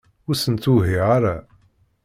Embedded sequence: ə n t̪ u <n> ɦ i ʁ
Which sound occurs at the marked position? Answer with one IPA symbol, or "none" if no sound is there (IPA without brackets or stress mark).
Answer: none